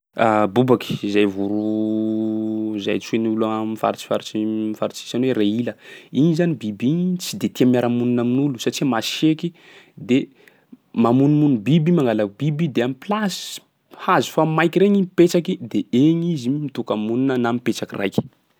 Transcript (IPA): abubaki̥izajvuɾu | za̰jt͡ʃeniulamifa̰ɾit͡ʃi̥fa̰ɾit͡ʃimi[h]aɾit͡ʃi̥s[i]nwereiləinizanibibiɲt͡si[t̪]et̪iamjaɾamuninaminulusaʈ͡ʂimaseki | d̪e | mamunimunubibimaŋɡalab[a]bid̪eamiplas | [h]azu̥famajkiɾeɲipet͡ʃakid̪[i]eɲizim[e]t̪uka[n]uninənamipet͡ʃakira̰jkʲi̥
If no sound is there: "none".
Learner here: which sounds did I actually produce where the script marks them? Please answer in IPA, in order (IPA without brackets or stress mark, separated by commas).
f, a, d̪, i, h, e, i, m